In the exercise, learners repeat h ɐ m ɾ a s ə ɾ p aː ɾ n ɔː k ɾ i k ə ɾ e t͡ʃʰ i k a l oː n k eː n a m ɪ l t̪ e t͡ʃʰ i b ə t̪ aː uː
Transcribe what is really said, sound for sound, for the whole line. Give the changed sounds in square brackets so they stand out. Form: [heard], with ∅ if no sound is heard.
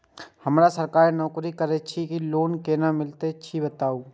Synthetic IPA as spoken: h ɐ m ɾ a s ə ɾ [k] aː ɾ n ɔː k ɾ i k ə ɾ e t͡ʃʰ i k [i] l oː n k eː n a m ɪ l t̪ e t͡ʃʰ i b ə t̪ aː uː

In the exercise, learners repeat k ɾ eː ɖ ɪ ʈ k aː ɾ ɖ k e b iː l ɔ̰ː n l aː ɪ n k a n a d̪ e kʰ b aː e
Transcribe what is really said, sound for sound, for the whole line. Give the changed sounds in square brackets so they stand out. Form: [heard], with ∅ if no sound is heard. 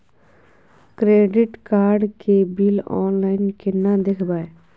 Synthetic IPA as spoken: k ɾ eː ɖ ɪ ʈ k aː ɾ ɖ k e b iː l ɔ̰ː n l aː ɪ n k [e] n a d̪ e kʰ b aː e

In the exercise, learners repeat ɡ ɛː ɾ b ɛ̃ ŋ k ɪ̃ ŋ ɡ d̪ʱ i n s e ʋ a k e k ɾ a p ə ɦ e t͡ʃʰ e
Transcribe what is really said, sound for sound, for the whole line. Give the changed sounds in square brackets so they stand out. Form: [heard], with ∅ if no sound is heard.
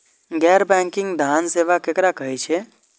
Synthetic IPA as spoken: ɡ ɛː ɾ b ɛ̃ ŋ k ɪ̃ ŋ ɡ d̪ʱ [a] n s e ʋ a k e k ɾ a [k] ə ɦ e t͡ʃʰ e

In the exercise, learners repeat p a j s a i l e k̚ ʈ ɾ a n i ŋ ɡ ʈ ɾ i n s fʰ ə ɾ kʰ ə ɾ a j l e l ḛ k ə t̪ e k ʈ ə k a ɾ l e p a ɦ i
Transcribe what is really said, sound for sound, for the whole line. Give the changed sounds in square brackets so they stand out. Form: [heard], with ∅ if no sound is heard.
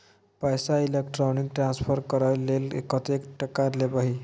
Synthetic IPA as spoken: p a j s a i l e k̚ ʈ ɾ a n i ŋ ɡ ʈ ɾ [a] n s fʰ ə ɾ [k] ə ɾ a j l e l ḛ k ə t̪ e k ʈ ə k a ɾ l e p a ɦ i

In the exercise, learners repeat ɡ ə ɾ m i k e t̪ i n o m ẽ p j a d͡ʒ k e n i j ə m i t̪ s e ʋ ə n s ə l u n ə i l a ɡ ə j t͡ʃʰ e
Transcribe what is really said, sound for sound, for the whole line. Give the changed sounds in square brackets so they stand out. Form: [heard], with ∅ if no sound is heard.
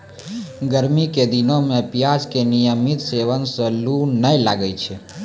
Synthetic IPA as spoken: ɡ ə ɾ m i k e [d̪] i n o m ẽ p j a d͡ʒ k e n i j ə m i t̪ s e ʋ ə n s ə l u n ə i l a ɡ ə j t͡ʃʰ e

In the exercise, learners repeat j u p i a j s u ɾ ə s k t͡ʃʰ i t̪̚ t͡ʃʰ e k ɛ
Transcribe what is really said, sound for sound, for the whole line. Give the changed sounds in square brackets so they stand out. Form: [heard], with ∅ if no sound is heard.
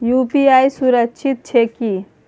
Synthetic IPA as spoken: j u p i a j s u ɾ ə [∅] k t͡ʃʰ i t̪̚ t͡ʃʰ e k [i]

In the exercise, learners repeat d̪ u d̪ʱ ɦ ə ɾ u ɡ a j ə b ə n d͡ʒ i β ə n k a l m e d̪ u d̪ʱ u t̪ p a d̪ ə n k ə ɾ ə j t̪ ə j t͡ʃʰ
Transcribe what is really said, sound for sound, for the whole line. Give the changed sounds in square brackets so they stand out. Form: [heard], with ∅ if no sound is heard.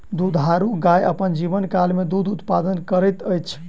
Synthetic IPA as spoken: d̪ u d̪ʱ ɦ [a] ɾ u ɡ a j ə [p] ə n d͡ʒ i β ə n k a l m e d̪ u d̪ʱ u t̪ p a d̪ ə n k ə ɾ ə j t̪ ə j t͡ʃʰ

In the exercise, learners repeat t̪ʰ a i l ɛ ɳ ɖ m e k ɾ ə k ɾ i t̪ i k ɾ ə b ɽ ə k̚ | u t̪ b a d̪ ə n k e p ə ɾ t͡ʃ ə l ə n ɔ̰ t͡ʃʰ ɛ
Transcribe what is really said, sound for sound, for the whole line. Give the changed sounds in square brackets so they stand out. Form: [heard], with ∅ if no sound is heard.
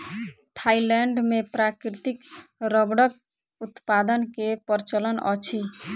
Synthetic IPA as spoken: t̪ʰ a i l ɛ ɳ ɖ m e [p] ɾ [a] k ɾ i t̪ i k ɾ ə b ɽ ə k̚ | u t̪ [p] a d̪ ə n k e p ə ɾ t͡ʃ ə l ə n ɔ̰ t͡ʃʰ [i]

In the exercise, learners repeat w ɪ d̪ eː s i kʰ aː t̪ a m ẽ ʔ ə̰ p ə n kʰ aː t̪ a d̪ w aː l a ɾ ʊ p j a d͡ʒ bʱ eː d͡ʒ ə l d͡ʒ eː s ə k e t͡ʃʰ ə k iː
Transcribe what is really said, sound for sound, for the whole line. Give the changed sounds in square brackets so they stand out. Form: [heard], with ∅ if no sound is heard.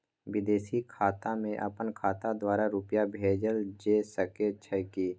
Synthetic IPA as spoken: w ɪ d̪ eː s i kʰ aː t̪ a m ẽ ʔ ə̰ p ə n kʰ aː t̪ a d̪ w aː [ɾ] a ɾ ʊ p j a [∅] bʱ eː d͡ʒ ə l d͡ʒ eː s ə k e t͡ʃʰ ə k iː

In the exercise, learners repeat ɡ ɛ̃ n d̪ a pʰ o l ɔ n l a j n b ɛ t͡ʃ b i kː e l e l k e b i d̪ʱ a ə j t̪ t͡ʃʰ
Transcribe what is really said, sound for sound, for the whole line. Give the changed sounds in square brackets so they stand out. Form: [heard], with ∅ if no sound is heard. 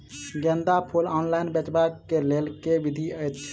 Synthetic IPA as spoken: ɡ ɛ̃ n d̪ a pʰ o l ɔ n l a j n b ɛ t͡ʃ b [a] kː e l e l k e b i d̪ʱ [i] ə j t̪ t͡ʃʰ

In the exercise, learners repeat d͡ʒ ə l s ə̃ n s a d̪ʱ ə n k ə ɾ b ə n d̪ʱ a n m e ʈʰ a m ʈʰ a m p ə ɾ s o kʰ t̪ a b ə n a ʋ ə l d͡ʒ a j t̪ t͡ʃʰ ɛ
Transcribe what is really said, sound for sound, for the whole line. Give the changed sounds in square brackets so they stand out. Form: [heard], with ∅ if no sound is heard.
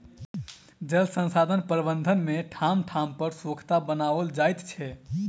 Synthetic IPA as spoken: d͡ʒ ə l s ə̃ n s a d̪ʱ ə n [p] ə ɾ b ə n d̪ʱ [ə] n m e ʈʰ a m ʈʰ a m p ə ɾ s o kʰ t̪ a b ə n a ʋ ə l d͡ʒ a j t̪ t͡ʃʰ ɛ

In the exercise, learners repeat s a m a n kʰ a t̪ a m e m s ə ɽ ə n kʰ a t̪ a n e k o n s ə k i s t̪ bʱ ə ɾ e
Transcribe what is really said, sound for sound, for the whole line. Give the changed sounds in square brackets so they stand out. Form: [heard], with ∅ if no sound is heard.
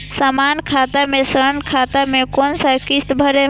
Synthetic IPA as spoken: s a m a n kʰ a t̪ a m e [∅] s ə [ɾ] ə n kʰ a t̪ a [m] e k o n s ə k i s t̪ bʱ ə ɾ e

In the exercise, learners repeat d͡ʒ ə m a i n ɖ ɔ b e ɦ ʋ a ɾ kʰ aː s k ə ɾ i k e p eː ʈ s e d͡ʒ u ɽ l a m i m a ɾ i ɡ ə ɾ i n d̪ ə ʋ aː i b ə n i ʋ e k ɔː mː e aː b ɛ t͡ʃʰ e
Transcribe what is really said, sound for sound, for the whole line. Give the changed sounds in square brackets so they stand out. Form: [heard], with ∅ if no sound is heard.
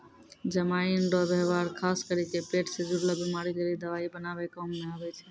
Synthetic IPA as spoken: d͡ʒ ə m a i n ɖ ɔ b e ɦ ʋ a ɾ kʰ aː s k ə ɾ i k e p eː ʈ s e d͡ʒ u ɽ l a [b] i m a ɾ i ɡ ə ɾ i [∅] d̪ ə ʋ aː i b ə n [a] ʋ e k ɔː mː e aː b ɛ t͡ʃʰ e

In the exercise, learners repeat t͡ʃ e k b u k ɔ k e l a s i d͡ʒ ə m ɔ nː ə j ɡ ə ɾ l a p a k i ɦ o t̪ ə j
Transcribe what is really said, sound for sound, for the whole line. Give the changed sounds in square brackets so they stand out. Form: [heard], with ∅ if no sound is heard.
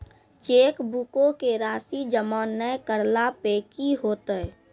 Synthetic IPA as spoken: t͡ʃ e k b u k [o] k e [ɾ] a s i d͡ʒ ə m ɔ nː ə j [k] ə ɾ l a p [e] k i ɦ o t̪ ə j

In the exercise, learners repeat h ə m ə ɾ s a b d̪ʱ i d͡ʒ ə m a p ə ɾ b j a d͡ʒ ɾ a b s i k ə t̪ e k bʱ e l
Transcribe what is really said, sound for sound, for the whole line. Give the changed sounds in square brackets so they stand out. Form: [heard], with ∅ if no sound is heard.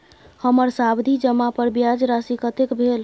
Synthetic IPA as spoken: h ə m ə ɾ s a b d̪ʱ i d͡ʒ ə m a p ə ɾ b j a d͡ʒ ɾ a [∅] s i k ə t̪ e k bʱ e l

